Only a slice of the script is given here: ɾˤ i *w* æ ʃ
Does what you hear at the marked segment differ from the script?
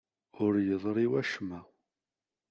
no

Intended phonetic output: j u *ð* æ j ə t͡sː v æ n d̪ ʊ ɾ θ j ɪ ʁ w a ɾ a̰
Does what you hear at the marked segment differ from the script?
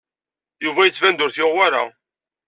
yes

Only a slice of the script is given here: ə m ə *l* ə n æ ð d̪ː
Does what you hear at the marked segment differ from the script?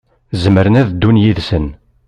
yes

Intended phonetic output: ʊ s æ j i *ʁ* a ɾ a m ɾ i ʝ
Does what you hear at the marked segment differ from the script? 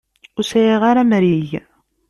no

